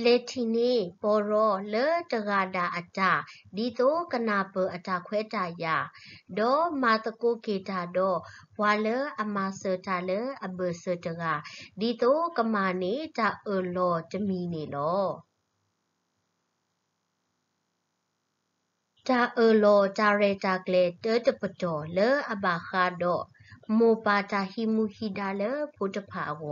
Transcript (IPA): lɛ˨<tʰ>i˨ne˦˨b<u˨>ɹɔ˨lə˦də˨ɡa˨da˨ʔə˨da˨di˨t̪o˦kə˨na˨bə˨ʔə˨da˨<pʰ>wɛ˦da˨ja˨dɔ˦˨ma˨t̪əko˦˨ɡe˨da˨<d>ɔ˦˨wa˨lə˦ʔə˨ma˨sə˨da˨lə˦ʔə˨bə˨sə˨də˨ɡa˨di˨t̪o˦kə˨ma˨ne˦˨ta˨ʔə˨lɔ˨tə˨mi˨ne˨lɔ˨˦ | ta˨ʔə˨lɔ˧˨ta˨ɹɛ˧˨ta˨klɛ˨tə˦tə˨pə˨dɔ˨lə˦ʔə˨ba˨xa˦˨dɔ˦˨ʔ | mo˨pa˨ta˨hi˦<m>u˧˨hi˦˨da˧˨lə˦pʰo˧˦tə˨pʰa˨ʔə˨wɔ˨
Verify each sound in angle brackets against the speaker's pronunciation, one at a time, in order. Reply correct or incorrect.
correct, incorrect: ɔ˨, incorrect: kʰ, correct, correct

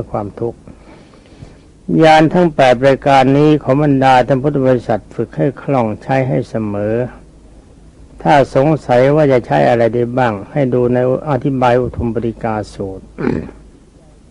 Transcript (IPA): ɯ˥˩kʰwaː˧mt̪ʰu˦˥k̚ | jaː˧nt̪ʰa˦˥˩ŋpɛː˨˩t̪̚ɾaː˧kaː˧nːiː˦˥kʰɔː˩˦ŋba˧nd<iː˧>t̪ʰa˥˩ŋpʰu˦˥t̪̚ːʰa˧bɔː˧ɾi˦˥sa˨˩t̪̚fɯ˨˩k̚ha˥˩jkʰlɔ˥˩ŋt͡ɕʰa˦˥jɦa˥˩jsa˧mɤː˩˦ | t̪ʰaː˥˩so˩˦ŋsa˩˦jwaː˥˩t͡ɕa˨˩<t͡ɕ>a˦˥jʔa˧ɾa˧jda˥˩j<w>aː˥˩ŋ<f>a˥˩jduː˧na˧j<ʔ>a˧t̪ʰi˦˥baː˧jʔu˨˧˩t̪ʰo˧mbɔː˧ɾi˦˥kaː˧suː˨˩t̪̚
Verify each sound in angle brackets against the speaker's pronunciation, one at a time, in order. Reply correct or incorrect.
incorrect: aː˧, incorrect: t͡ɕʰ, incorrect: b, incorrect: h, correct

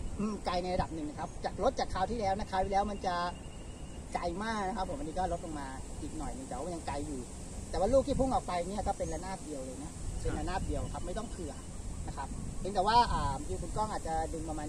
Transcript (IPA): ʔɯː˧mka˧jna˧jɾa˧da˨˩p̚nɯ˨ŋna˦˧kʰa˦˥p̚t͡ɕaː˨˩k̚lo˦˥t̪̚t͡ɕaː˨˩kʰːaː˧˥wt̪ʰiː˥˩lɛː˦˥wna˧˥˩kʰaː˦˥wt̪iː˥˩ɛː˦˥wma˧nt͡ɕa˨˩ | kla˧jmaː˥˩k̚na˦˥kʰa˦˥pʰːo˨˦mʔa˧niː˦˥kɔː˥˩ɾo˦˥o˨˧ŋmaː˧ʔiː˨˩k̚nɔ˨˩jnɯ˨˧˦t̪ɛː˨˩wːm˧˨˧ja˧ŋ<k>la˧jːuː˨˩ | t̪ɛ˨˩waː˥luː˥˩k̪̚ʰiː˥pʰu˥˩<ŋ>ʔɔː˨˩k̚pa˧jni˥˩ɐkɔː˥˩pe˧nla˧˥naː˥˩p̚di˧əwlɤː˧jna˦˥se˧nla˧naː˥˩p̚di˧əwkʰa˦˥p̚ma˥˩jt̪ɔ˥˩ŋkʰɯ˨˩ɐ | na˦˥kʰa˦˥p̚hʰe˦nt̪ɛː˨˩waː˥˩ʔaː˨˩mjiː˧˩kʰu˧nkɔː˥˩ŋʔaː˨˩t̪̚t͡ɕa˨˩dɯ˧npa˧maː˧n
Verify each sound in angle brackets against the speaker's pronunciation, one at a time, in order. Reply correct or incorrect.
correct, correct

